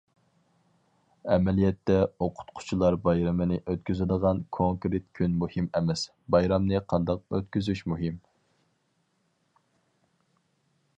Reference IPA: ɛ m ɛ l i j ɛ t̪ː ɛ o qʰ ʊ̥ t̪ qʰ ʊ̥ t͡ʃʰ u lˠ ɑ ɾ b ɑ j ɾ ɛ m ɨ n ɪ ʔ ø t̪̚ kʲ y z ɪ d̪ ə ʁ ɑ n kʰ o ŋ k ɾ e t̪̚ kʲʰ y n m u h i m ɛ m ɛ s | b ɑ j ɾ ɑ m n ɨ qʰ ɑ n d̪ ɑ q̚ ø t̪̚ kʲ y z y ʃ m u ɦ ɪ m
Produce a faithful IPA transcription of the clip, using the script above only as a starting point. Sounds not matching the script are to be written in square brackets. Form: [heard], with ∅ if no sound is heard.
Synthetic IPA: ɛ m ɛ l i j ɛ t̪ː ɛ o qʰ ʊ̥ t̪ qʰ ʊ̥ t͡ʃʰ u lˠ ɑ ɾ b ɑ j ɾ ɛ m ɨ n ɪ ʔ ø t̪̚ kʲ y z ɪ d̪ ə ʁ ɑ n kʰ o ŋ k ɾ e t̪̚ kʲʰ y n m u h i m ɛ m ɛ s | b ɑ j ɾ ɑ m n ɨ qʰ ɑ n d̪ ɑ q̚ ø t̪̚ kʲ y z y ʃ m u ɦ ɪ m